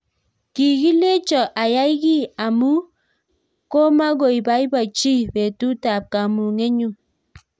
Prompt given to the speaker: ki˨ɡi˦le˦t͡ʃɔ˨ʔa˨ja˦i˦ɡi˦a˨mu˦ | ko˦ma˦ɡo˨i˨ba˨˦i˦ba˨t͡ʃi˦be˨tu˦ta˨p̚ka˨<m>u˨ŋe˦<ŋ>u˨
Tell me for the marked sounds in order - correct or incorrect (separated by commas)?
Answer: correct, incorrect